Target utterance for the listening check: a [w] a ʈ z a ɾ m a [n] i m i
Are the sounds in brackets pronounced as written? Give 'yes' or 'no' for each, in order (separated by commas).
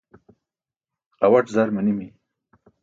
yes, yes